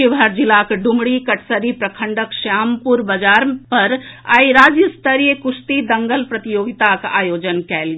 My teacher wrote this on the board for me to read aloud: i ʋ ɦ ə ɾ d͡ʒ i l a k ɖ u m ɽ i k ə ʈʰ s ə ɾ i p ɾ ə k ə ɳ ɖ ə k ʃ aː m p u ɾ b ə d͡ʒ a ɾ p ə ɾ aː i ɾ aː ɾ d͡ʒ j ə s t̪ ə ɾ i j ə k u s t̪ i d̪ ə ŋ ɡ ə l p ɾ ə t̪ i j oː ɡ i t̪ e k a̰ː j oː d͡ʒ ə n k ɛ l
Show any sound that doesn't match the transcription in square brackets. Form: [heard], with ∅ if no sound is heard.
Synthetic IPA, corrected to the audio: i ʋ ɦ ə ɾ d͡ʒ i l a k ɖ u m ɽ i k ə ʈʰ s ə ɾ i p ɾ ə [kʰ] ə ɳ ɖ ə k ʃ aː m p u ɾ b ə d͡ʒ a ɾ p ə ɾ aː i ɾ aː [∅] d͡ʒ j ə s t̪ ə ɾ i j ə k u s t̪ i d̪ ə ŋ ɡ ə l p ɾ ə t̪ i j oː ɡ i t̪ [a] k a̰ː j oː d͡ʒ ə n k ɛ l